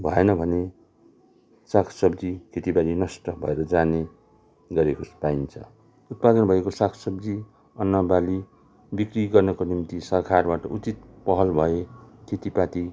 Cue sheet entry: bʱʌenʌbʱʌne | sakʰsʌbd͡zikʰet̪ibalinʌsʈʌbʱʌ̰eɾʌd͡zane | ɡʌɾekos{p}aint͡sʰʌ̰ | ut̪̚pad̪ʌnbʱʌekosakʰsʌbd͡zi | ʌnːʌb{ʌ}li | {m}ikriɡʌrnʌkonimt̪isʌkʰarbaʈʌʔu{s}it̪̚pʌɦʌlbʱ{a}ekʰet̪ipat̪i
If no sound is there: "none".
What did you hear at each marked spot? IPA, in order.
p, a, b, t͡s, ʌ

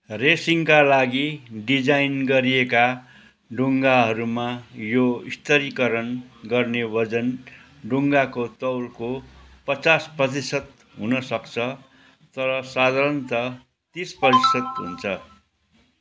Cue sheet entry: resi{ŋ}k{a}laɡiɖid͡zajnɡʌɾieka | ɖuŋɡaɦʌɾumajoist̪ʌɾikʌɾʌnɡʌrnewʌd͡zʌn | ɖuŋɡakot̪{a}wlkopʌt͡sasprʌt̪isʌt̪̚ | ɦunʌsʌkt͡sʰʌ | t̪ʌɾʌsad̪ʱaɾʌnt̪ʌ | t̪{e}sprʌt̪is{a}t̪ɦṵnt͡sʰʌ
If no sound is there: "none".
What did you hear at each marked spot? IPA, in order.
ŋ, a, ʌ, i, ʌ

